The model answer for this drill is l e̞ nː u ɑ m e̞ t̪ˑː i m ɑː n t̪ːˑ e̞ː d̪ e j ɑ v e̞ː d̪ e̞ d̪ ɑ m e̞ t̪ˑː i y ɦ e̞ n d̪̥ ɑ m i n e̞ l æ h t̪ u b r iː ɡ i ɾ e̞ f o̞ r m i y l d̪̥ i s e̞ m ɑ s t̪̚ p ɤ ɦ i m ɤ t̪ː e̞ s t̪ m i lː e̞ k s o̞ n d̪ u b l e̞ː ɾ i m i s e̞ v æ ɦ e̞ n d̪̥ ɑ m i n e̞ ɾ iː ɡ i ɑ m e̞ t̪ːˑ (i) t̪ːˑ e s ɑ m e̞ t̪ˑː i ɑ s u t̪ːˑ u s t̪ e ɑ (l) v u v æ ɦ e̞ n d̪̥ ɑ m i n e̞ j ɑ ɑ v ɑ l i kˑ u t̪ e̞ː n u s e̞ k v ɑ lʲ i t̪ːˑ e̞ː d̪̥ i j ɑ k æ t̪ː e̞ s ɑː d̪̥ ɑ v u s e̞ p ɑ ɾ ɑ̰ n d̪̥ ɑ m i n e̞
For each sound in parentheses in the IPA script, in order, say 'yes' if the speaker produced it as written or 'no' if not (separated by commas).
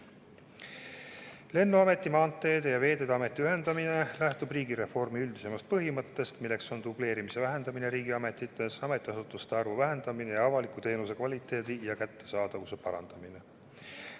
yes, no